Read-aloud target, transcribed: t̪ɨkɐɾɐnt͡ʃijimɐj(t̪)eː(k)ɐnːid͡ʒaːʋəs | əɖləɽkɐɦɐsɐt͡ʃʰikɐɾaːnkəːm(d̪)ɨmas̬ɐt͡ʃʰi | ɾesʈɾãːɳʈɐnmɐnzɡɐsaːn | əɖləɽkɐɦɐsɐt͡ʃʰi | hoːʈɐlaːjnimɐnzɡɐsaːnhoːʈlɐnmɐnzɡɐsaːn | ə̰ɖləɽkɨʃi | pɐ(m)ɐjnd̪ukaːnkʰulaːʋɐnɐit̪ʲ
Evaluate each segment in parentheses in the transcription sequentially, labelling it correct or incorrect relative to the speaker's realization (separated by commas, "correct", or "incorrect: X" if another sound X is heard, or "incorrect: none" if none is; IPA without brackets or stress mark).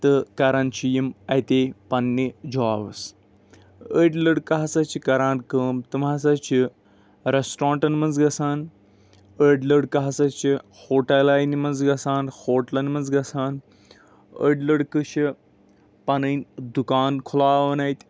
correct, incorrect: p, incorrect: t̪, incorrect: n